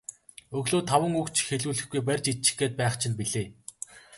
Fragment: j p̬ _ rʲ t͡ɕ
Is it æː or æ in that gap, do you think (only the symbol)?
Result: æ